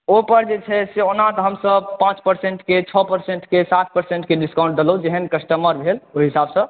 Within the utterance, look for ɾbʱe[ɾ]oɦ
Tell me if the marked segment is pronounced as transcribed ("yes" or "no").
no